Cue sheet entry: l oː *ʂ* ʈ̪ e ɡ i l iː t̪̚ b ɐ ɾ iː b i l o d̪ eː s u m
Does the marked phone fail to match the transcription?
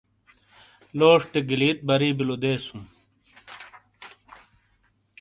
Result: no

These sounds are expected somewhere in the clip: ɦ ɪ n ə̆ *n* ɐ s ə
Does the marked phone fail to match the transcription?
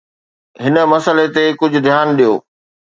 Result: yes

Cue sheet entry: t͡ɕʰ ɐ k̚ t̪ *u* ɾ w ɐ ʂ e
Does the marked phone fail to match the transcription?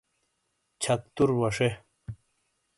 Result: no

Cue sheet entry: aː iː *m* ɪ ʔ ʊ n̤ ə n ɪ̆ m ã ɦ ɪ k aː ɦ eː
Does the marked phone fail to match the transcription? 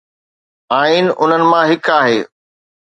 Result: yes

